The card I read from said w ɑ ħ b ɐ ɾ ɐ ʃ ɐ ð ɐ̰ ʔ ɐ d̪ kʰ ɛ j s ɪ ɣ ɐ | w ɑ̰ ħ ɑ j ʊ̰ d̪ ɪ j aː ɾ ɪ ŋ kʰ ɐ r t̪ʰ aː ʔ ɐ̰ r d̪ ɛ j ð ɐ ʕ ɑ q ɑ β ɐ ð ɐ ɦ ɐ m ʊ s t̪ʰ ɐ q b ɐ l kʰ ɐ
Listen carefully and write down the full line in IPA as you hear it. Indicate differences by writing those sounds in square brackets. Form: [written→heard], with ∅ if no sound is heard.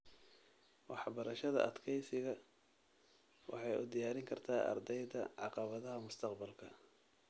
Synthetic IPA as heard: w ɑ ħ b ɐ ɾ ɐ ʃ ɐ ð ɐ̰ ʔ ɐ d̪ kʰ ɛ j s ɪ ɣ ɐ | w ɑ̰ ħ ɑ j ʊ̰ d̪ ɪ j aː ɾ ɪ ŋ kʰ ɐ r t̪ʰ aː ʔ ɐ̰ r d̪ ɛ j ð ɐ ʕ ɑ q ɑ β ɐ ð ɐ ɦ ɐ m ʊ s t̪ʰ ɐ q b ɐ l kʰ ɐ

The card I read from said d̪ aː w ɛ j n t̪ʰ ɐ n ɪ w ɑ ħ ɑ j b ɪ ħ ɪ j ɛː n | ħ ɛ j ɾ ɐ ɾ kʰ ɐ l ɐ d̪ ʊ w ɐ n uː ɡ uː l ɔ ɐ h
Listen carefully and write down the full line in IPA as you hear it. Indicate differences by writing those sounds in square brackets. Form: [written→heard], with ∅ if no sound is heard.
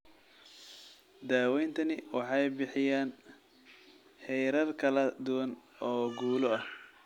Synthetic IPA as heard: d̪ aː w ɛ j n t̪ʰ ɐ n ɪ w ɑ ħ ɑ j b ɪ ħ ɪ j [ɛː→aː] n | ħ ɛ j ɾ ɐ [ɾ→r] kʰ ɐ l ɐ d̪ ʊ w ɐ n [uː→ɔː] ɡ uː l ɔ ɐ h

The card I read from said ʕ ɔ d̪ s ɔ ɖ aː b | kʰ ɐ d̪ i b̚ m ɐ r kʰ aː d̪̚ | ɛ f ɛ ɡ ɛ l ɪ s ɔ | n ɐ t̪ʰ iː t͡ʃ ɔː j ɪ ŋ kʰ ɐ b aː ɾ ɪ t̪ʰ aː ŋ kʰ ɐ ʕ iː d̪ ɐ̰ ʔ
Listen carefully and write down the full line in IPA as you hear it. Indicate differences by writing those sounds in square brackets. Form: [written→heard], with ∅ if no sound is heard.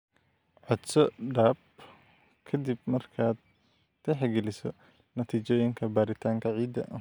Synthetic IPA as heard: ʕ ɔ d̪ s ɔ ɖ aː b | kʰ ɐ d̪ i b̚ m ɐ r kʰ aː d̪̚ | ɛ [f→ħ] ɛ ɡ ɛ l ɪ s ɔ | n ɐ t̪ʰ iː t͡ʃ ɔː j ɪ ŋ kʰ ɐ b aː ɾ ɪ t̪ʰ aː ŋ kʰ ɐ ʕ iː d̪ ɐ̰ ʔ

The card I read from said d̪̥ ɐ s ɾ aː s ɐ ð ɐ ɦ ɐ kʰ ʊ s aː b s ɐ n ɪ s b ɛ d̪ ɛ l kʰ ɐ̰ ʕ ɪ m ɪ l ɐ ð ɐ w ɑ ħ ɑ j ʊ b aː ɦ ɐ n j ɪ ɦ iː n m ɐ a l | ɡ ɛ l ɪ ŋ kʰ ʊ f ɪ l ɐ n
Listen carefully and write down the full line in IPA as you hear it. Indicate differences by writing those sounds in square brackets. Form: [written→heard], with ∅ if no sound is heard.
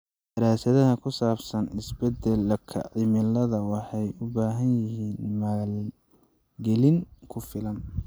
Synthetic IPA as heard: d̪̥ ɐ [s→∅] ɾ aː s ɐ ð ɐ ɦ ɐ kʰ ʊ s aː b s ɐ n ɪ s b ɛ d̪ ɛ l kʰ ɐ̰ ʕ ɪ m ɪ l ɐ ð ɐ w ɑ ħ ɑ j ʊ b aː ɦ ɐ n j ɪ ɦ iː n m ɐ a l | ɡ ɛ l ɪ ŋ kʰ ʊ f ɪ l ɐ n

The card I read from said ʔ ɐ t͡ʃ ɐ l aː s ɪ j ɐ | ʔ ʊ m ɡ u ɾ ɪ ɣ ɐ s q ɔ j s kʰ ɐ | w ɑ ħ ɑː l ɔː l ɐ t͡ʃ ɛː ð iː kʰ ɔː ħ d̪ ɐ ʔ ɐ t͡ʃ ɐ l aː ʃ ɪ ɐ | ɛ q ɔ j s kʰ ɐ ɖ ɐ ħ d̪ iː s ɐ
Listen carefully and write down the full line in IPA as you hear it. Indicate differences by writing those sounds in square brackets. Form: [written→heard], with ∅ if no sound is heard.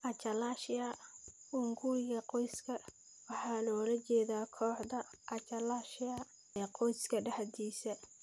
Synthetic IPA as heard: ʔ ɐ t͡ʃ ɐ l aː [s→ʃ] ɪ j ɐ | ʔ ʊ [m→ŋ] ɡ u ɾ ɪ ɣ ɐ [s→∅] q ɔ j s kʰ ɐ | w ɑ ħ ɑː l ɔː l ɐ t͡ʃ ɛː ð [iː→aː] kʰ ɔː ħ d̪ ɐ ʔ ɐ t͡ʃ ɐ l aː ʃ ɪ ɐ | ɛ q ɔ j s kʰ ɐ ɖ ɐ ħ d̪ iː s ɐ

